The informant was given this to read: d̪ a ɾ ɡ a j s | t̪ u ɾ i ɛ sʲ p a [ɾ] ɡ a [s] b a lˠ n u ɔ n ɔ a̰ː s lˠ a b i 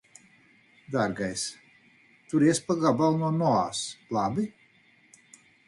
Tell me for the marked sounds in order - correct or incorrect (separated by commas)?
incorrect, incorrect